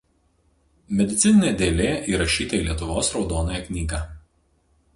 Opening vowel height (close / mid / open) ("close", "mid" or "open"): mid